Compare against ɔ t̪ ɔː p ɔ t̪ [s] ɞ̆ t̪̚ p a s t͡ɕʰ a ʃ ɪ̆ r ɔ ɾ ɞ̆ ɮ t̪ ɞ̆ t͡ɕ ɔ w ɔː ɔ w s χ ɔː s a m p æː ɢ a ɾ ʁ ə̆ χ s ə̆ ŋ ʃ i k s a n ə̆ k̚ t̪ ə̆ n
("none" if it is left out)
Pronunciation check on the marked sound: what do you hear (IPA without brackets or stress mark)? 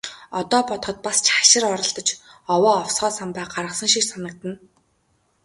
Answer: χ